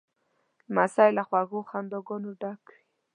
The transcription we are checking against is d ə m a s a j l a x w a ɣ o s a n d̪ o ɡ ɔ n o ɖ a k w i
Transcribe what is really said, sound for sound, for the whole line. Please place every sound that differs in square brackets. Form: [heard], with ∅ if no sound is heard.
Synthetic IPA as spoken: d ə m a s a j l a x w a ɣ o [x] a n d̪ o ɡ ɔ n o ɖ a k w i

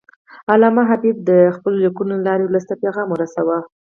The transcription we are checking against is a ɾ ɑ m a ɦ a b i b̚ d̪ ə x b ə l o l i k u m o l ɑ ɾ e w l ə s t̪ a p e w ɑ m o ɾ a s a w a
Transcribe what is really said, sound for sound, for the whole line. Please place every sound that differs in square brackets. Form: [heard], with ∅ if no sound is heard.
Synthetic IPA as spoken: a [l] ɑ m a ɦ a b i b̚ d̪ ə x [p] ə l o l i k u [n] o l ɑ ɾ e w l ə s t̪ a p e [ɣ] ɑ m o ɾ a s a w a

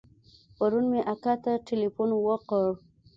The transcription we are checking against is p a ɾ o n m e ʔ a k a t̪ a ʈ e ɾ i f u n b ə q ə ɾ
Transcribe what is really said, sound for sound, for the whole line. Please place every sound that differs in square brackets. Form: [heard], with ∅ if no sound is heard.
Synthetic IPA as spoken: p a ɾ [u] n m e ʔ a k a t̪ a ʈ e [l] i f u n [w] ə q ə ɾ

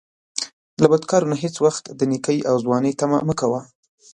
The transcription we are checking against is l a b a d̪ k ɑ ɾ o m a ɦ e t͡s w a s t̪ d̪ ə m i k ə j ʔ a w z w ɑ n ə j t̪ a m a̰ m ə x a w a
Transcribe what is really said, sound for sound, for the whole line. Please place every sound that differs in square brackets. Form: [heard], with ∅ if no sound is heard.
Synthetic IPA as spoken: l a b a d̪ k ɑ ɾ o [n] a ɦ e t͡s w a [x] t̪ d̪ ə [n] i k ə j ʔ a w z w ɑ n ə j t̪ a m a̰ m ə [k] a w a

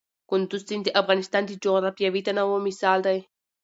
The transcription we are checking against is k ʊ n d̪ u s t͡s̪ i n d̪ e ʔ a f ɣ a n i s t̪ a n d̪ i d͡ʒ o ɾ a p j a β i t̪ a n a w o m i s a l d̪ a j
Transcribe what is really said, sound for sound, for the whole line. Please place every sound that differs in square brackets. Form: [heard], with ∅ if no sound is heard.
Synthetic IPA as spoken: k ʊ n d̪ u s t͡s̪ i n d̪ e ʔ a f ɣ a n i s t̪ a n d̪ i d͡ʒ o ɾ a p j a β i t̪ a n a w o m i s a l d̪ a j

